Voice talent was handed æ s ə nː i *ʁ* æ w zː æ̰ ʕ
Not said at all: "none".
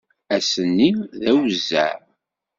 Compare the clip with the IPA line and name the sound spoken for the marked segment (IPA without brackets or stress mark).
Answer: ð